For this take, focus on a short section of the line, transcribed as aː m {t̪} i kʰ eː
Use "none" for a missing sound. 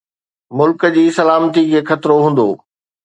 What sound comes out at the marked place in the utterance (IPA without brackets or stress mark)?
t̪